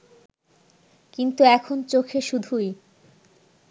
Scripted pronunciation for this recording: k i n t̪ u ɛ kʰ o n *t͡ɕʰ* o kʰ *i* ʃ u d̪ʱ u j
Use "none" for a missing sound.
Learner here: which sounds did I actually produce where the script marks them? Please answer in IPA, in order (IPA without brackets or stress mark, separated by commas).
t͡ɕ, e